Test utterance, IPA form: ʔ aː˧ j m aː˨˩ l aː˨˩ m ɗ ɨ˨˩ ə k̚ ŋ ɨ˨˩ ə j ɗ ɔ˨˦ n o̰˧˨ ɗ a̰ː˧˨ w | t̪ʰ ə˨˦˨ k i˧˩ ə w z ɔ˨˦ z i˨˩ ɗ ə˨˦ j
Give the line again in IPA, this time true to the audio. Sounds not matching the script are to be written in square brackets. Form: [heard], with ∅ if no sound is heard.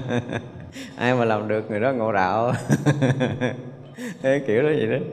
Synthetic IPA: ʔ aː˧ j m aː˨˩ l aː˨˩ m ɗ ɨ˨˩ ə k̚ ŋ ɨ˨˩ ə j ɗ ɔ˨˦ [ŋ] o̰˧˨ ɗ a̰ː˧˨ w | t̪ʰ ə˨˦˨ k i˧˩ ə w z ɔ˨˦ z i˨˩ ɗ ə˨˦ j